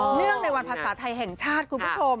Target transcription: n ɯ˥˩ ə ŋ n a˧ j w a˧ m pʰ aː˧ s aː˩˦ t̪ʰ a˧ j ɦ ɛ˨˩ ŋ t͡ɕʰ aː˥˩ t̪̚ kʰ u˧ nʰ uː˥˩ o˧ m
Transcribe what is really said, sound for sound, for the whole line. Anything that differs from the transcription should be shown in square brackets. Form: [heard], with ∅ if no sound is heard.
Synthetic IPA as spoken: n ɯ˥˩ ə ŋ n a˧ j w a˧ [n] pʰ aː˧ s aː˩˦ t̪ʰ a˧ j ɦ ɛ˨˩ ŋ t͡ɕʰ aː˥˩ t̪̚ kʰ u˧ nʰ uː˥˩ o˧ m